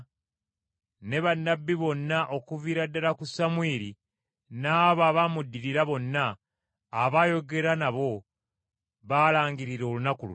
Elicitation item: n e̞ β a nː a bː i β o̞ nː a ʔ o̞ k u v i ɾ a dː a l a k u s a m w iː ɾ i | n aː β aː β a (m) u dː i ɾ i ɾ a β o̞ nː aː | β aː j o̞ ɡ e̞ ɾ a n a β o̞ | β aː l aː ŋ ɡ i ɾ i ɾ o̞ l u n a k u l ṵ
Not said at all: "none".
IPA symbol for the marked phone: m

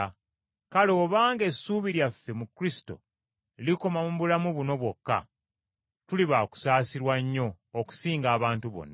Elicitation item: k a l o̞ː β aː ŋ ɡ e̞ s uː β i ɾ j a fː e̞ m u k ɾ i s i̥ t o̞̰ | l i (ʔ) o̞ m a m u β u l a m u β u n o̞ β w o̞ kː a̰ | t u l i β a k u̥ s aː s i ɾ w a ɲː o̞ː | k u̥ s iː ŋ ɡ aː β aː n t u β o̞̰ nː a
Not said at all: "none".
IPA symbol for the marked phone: k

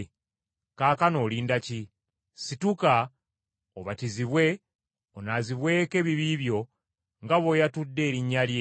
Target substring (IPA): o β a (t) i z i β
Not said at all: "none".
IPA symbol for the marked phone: t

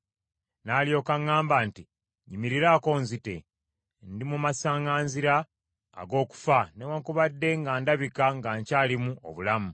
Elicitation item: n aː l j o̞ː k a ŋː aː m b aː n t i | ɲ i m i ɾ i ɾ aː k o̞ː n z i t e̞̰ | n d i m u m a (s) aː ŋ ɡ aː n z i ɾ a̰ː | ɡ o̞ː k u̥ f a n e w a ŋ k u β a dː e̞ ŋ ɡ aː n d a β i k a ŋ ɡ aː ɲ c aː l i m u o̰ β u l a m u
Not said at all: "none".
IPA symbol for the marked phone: s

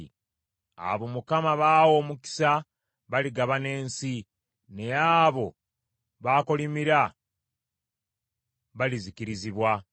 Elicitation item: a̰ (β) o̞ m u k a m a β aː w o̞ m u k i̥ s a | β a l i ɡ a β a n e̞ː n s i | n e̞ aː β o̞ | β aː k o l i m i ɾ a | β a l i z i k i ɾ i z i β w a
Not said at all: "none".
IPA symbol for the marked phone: β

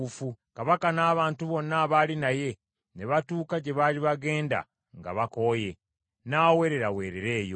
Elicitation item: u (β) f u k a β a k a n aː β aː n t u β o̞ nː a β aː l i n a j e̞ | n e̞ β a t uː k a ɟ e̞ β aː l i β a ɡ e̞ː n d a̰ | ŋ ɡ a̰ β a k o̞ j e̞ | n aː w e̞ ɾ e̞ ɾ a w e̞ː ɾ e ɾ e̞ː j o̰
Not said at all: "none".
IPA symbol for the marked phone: none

